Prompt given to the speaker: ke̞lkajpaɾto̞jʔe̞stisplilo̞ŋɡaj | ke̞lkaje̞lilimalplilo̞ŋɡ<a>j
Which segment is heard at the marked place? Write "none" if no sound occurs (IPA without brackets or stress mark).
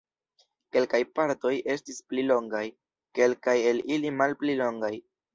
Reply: a